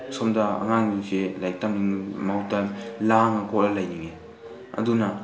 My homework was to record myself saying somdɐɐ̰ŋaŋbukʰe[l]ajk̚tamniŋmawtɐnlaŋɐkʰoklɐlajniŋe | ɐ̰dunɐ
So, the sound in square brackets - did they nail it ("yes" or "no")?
yes